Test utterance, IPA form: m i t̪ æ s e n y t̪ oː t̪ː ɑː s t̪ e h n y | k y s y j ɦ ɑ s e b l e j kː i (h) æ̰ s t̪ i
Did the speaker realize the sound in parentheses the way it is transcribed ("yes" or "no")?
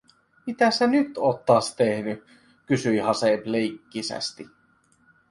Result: no